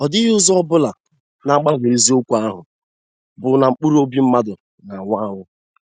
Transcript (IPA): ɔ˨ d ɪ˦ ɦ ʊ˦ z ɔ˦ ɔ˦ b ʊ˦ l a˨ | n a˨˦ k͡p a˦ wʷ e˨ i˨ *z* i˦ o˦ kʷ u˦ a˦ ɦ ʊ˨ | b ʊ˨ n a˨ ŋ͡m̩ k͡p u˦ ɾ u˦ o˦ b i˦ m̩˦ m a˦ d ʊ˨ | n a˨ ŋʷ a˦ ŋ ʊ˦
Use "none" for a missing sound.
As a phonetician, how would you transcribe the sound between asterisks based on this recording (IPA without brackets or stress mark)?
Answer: z